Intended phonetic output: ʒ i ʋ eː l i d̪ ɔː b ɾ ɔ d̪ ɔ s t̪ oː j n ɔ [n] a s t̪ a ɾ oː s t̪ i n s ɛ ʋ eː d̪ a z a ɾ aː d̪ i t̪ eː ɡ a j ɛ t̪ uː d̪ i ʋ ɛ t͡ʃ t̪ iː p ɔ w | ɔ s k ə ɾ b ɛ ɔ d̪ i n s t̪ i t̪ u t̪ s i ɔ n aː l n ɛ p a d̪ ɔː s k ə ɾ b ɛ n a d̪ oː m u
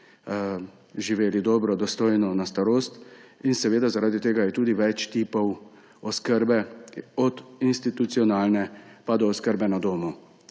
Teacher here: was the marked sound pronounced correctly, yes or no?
yes